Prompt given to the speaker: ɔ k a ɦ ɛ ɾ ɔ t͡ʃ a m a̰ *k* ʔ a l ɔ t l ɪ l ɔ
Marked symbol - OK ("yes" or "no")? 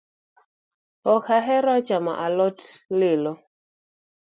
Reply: no